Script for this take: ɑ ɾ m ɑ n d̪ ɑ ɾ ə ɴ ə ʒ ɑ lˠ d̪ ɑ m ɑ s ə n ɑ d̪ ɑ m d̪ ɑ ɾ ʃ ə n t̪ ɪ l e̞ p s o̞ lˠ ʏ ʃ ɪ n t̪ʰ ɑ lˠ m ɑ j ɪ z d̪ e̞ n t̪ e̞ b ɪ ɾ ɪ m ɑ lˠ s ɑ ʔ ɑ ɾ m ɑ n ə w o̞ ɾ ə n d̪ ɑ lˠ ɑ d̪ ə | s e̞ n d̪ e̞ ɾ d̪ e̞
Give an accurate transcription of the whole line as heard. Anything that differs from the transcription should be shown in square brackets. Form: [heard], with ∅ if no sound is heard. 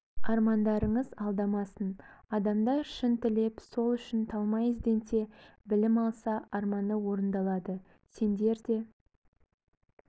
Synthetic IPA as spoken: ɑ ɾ m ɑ n d̪ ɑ ɾ ə ɴ ə [z] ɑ lˠ d̪ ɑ m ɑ s ə n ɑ d̪ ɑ m d̪ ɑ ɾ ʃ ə n t̪ ɪ l e̞ p s o̞ lˠ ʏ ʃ ɪ n t̪ʰ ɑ lˠ m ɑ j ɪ z d̪ e̞ n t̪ e̞ b ɪ [l] ɪ m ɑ lˠ s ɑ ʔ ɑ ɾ m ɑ n ə w o̞ ɾ ə n d̪ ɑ lˠ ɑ d̪ ə | s e̞ n d̪ e̞ ɾ d̪ e̞